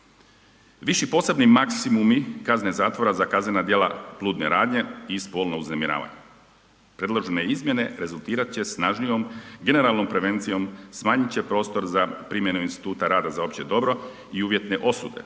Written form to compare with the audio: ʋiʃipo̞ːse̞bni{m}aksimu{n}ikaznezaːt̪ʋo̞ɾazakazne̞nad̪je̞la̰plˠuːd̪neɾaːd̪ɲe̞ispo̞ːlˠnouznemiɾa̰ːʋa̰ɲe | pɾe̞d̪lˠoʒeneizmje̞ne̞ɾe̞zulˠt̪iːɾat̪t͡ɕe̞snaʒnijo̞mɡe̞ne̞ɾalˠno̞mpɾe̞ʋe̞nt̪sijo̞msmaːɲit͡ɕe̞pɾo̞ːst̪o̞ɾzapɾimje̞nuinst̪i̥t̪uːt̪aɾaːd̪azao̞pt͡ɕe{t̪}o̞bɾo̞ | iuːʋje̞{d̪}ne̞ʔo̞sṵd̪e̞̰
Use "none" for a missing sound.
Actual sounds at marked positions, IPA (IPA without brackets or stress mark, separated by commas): m, m, d̪, t̪